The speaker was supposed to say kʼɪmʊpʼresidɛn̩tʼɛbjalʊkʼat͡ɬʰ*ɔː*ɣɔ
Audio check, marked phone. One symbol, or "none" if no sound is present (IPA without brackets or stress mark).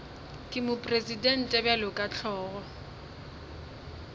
ɔː